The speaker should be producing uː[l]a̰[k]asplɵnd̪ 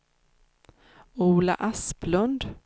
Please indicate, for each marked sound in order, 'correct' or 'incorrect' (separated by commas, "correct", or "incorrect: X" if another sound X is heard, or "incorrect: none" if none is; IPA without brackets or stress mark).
correct, incorrect: ʔ